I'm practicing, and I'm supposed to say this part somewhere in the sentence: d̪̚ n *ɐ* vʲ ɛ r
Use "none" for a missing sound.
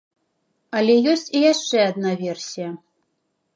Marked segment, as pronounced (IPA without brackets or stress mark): a